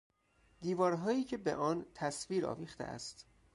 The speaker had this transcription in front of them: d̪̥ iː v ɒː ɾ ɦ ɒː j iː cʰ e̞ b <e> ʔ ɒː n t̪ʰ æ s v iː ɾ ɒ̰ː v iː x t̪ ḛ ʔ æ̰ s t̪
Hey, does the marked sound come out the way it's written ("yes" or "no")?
yes